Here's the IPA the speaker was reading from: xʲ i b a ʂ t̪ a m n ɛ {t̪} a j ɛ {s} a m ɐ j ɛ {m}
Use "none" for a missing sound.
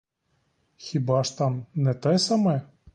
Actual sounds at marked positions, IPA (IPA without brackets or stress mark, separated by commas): t̪, s, none